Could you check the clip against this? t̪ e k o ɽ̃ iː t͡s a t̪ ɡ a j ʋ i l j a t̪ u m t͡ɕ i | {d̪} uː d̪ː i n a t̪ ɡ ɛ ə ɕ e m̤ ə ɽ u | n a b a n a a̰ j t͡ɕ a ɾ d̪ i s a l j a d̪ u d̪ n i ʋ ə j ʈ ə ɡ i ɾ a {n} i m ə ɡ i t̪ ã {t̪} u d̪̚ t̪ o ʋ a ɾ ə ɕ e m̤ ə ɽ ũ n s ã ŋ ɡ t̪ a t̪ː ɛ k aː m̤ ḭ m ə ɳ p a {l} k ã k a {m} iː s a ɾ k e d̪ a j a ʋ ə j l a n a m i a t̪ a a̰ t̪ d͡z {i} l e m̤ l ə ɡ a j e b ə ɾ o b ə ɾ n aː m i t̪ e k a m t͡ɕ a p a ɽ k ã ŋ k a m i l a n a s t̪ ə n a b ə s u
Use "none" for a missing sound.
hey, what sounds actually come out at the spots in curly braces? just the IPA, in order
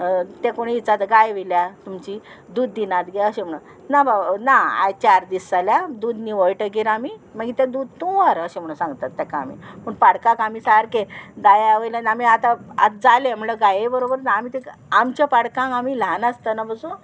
d̪, m, d̪, ɽ, m, a

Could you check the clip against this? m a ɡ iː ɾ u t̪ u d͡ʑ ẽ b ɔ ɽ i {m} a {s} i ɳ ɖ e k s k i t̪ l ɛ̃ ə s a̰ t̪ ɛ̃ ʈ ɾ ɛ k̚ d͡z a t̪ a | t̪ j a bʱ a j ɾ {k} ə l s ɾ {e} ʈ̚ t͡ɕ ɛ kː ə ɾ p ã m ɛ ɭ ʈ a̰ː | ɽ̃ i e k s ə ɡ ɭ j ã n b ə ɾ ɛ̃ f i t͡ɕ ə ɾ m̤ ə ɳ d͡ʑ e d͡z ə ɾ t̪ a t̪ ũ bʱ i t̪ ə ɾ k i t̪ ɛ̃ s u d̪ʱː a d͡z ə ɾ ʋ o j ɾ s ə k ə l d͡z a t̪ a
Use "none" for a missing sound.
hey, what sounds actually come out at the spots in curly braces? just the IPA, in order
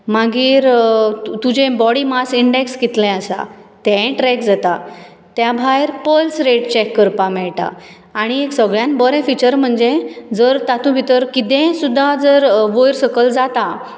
m, s, p, e

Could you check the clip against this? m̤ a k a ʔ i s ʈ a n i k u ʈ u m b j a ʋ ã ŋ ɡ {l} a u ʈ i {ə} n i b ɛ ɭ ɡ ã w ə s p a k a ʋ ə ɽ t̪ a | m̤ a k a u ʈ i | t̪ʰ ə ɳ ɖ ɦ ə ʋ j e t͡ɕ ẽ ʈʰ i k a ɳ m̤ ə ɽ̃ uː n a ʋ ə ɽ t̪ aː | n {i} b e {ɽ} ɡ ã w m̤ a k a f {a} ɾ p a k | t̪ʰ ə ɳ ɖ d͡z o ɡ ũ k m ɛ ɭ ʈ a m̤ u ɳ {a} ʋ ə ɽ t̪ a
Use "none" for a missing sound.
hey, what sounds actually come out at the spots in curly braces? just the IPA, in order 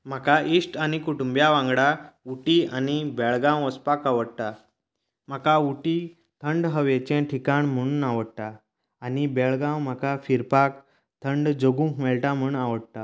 ɽ, a, i, ɭ, i, a

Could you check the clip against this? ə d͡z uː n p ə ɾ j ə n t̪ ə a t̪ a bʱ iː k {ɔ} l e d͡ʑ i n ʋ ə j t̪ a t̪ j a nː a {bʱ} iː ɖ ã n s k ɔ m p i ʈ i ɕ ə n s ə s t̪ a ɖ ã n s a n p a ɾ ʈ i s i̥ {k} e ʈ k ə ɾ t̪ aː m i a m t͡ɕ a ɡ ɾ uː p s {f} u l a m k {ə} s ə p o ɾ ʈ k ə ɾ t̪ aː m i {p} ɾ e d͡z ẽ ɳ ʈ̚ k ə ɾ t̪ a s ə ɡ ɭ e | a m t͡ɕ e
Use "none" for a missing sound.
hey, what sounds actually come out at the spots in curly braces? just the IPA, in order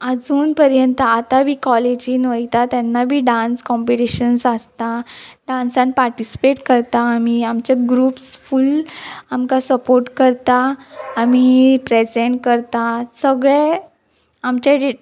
ɔ, bʱ, p, f, a, p

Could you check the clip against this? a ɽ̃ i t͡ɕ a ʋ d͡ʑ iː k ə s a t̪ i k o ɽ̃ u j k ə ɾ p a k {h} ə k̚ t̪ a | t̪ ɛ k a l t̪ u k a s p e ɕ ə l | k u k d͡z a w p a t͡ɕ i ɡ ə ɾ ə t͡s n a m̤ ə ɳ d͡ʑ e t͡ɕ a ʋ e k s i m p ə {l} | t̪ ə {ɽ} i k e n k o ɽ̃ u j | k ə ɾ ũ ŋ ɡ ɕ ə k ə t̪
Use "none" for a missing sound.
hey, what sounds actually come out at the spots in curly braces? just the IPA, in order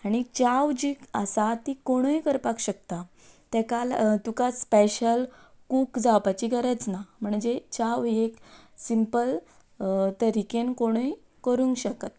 ɕ, l, ɾ

